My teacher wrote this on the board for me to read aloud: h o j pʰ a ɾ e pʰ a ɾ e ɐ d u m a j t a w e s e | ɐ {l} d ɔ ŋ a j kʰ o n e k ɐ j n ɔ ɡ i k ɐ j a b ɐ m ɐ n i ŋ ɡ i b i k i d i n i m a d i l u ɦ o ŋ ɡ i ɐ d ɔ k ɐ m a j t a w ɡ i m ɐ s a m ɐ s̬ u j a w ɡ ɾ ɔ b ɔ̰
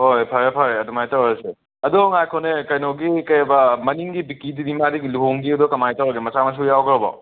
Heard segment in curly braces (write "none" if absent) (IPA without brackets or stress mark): none